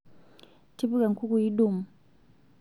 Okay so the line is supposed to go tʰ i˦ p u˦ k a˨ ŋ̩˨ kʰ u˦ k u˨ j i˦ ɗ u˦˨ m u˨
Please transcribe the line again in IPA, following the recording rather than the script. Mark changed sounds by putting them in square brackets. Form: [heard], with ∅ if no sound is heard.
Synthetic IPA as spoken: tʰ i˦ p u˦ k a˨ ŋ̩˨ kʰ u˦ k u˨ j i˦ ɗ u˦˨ m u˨